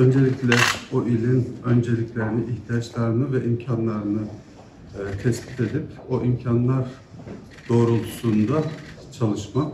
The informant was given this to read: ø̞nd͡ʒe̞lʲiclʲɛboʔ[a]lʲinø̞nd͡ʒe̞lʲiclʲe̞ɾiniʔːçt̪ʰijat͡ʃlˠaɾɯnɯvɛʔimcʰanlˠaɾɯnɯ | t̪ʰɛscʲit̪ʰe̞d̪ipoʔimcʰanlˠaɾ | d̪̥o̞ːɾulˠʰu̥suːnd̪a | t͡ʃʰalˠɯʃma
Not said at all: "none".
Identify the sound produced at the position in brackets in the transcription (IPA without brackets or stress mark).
i